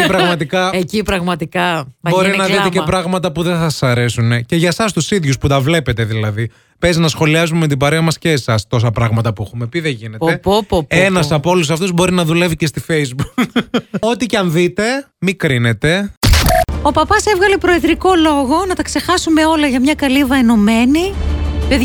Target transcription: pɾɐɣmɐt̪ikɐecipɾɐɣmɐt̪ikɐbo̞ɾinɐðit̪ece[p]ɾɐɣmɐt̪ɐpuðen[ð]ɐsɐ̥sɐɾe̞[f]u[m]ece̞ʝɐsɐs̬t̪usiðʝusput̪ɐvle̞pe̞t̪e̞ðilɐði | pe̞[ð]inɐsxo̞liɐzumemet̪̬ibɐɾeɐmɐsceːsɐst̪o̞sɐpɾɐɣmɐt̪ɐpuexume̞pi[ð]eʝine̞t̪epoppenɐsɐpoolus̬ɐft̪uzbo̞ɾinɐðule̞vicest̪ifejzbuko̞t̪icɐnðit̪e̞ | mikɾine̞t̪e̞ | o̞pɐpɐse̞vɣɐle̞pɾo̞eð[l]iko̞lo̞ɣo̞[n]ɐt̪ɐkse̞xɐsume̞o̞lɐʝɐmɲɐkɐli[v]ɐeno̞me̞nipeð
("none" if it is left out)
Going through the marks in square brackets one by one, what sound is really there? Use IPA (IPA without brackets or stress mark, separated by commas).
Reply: p, θ, s, n, z, ð, ɾ, n, v